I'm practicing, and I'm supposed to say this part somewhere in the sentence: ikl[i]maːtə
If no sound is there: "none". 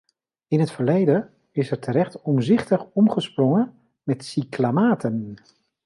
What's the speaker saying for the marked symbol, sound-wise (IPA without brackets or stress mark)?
a